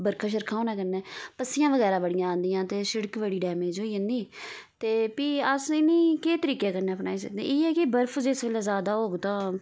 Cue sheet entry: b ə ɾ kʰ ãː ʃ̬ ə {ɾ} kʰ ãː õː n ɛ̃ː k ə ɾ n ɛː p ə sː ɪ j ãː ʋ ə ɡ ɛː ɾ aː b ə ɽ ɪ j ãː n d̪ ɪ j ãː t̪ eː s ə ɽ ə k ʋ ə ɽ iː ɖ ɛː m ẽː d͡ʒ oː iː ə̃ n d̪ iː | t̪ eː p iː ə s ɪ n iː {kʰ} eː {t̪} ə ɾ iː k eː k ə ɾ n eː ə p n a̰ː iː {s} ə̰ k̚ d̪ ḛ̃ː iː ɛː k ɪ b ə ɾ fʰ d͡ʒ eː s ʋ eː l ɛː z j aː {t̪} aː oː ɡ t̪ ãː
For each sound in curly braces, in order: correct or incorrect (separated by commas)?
correct, incorrect, correct, correct, incorrect